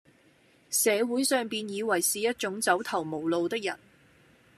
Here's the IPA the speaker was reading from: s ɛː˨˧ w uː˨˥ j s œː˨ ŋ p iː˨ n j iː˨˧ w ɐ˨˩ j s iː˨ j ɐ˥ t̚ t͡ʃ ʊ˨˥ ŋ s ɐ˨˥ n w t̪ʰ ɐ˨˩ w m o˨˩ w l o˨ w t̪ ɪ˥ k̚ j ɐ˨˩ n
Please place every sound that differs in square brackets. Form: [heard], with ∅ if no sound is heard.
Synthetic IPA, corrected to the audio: s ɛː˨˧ w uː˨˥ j s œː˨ ŋ p iː˨ n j iː˨˧ w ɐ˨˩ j s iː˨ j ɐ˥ t̚ t͡ʃ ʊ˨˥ ŋ [t͡s] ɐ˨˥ [∅] w t̪ʰ ɐ˨˩ w m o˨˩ w l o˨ w t̪ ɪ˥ k̚ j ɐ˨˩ n

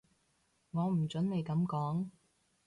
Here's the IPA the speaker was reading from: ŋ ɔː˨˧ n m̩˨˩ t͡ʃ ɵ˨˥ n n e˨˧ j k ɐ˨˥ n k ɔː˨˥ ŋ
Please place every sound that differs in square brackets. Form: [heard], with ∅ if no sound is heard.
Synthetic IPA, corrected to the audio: ŋ ɔː˨˧ [∅] m̩˨˩ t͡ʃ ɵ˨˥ n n e˨˧ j k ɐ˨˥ [m] k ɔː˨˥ ŋ

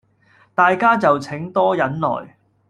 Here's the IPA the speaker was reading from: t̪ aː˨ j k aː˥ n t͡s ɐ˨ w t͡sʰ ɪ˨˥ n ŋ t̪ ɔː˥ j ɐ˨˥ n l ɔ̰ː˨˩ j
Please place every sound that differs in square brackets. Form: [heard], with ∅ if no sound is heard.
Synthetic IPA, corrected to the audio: t̪ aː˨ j k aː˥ [∅] t͡s ɐ˨ w t͡sʰ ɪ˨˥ [∅] ŋ t̪ ɔː˥ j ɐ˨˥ n l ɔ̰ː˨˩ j

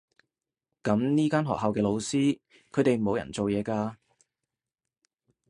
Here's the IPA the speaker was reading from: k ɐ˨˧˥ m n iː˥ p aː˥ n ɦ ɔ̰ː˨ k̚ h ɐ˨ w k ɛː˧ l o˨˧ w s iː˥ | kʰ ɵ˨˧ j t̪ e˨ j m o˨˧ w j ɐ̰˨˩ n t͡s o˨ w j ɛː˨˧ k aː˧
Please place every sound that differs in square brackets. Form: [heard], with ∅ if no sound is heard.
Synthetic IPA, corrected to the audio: k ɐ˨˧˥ m n iː˥ [k] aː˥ n ɦ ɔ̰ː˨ k̚ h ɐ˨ w k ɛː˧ l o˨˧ w s iː˥ | kʰ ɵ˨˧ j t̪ e˨ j m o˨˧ w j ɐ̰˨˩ n t͡s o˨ w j ɛː˨˧ k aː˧

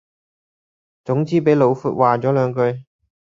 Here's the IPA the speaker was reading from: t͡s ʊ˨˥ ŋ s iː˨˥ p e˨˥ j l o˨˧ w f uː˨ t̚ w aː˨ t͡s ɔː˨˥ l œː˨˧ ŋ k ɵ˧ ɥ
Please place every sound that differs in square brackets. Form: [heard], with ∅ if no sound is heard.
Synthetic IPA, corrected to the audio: t͡s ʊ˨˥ ŋ [t͡s] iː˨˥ p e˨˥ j l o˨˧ w f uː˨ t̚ w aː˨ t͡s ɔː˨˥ l œː˨˧ ŋ k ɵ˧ ɥ

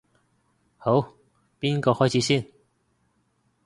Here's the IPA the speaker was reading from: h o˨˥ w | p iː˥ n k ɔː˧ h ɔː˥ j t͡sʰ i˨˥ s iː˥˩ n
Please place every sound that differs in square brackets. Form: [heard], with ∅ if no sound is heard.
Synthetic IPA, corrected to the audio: h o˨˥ w | p iː˥ n k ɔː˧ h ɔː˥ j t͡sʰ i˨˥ s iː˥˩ n

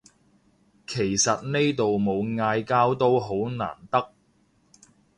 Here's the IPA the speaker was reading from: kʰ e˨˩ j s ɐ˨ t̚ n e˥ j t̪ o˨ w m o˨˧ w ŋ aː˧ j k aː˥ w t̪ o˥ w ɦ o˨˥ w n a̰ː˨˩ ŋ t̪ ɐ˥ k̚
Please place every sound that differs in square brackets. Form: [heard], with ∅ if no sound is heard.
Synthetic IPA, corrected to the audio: kʰ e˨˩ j s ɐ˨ t̚ n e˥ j t̪ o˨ w m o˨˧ w ŋ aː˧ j k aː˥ w t̪ o˥ w ɦ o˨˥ w n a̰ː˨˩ [n] t̪ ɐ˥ k̚

